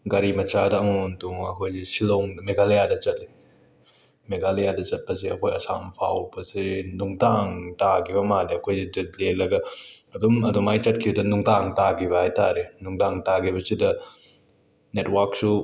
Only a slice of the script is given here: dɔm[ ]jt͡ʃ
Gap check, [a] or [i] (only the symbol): a